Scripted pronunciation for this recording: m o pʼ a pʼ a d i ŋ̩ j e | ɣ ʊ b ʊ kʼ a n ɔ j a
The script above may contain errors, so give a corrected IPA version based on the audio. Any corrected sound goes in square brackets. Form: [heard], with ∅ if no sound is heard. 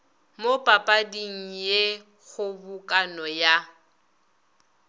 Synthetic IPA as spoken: m o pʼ a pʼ a d i ŋ̩ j e | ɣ ʊ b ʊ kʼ a n ɔ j a